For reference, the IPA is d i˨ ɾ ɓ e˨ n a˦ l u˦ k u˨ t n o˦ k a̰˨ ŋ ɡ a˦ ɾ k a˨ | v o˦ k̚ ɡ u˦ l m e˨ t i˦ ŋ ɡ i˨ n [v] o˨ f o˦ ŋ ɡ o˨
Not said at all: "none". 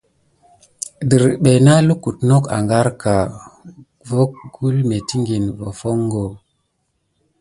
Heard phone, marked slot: v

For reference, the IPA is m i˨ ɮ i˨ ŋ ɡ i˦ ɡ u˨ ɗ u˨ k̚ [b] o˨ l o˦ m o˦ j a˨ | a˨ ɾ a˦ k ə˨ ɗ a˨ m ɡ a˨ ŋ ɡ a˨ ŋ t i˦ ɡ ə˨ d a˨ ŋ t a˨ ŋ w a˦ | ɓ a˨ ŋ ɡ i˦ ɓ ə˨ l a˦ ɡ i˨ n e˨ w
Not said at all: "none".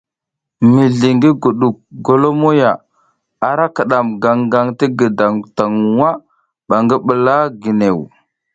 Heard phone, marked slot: ɡ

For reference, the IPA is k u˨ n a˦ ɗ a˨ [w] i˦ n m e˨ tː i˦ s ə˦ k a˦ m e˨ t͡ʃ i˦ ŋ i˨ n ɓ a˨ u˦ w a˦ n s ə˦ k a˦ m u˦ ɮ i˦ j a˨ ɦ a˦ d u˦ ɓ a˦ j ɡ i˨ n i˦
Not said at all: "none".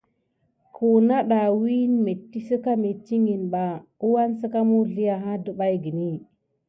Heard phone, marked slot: w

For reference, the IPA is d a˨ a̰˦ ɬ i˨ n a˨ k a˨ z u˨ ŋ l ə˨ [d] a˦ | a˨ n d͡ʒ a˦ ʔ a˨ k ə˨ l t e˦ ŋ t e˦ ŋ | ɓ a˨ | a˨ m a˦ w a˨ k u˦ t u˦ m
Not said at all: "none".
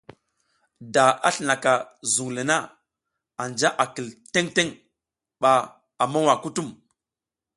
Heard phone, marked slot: n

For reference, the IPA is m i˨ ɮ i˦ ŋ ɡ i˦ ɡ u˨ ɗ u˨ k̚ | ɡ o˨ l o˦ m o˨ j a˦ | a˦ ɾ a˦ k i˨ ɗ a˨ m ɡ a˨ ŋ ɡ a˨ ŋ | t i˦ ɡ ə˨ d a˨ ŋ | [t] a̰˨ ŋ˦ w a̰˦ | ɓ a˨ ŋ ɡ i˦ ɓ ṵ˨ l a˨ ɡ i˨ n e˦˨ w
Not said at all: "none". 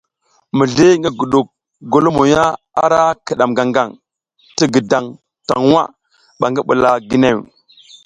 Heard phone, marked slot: t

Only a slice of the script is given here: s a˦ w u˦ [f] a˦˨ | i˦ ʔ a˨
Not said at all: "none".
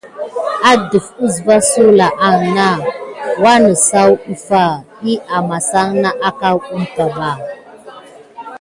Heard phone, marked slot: f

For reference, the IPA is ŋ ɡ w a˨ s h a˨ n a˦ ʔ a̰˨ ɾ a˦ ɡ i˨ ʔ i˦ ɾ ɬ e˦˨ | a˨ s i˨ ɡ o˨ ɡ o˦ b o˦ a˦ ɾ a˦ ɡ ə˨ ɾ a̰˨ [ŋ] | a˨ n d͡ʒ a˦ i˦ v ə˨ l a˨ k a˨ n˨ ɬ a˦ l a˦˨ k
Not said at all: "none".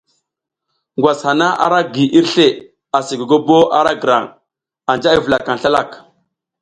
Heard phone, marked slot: ŋ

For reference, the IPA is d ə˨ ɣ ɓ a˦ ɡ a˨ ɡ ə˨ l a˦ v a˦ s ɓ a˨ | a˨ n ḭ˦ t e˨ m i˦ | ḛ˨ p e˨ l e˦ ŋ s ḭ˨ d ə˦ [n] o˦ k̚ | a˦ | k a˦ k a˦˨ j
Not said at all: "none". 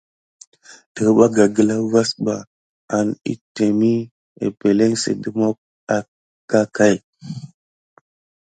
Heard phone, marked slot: m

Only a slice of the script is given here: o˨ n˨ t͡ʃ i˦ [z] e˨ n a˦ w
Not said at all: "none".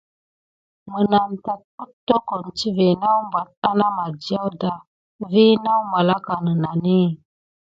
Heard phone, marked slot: v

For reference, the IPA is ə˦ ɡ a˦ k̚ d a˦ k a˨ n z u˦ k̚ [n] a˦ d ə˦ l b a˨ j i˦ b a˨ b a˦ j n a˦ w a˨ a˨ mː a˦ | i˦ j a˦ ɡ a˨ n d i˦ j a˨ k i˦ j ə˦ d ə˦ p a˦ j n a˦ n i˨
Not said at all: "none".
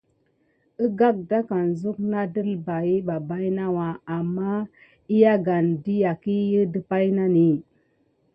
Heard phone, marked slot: n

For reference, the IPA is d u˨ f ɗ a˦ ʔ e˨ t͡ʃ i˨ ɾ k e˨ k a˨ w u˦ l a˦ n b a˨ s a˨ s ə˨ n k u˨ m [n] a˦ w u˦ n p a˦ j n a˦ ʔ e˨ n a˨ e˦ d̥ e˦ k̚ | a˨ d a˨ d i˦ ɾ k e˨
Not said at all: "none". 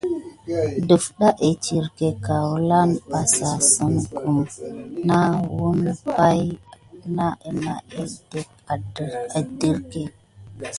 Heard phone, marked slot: n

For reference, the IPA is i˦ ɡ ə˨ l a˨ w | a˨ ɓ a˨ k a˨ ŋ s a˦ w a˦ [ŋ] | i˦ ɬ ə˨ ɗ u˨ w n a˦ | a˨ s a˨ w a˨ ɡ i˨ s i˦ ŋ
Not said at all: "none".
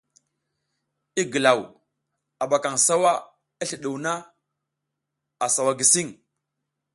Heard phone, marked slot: none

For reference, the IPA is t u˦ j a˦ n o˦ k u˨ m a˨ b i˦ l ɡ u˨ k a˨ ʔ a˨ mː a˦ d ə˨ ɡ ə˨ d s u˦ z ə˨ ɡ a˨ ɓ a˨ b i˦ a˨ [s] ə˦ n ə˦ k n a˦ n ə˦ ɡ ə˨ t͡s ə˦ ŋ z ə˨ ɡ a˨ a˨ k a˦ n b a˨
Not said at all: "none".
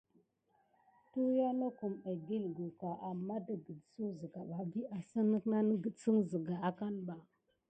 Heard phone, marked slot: s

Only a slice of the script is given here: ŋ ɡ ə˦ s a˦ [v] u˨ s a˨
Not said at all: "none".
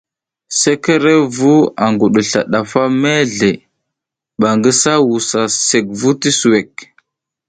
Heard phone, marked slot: w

